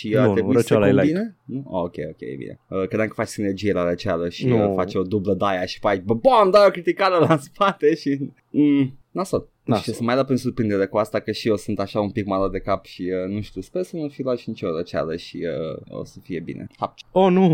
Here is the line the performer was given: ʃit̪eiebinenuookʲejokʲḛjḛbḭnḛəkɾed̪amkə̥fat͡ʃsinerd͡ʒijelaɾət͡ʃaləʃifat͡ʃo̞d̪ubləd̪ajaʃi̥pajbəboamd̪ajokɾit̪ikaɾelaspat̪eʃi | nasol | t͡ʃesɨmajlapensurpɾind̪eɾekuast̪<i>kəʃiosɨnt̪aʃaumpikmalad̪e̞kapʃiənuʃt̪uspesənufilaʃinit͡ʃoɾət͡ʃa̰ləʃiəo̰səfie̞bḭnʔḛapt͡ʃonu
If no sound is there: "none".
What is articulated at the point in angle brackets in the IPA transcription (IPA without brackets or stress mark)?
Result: a